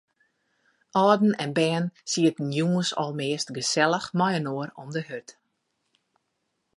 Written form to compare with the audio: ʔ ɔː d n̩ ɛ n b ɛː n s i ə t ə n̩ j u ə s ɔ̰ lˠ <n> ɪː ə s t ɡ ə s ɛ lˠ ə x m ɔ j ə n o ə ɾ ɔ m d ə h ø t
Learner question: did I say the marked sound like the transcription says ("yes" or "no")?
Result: no